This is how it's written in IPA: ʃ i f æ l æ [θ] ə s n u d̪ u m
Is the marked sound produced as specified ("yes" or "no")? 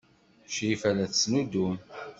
yes